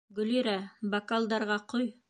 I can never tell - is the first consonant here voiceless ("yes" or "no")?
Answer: no